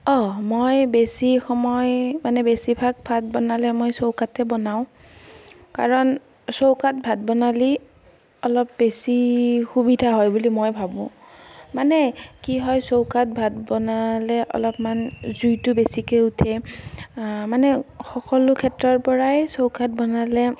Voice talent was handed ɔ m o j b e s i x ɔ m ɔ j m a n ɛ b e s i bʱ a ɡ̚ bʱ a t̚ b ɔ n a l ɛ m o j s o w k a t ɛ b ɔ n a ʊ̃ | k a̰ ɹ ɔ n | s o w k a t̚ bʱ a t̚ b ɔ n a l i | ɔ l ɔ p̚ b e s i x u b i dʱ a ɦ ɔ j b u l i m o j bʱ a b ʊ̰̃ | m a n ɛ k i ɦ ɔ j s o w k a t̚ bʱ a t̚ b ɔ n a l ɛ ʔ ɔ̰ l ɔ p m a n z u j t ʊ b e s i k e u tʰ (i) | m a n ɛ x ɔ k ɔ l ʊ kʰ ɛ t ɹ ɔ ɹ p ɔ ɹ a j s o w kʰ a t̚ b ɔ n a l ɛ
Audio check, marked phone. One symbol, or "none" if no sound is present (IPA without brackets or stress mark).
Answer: ɛ